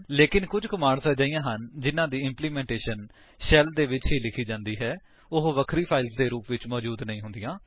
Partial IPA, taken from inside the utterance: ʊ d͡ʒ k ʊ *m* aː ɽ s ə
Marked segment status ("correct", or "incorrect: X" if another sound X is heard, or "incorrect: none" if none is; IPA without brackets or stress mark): correct